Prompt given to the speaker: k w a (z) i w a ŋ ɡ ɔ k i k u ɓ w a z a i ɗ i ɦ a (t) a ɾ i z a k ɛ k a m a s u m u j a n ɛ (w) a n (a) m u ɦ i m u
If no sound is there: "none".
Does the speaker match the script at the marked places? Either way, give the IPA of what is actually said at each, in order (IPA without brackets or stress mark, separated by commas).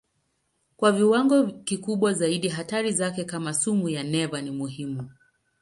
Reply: v, t, v, i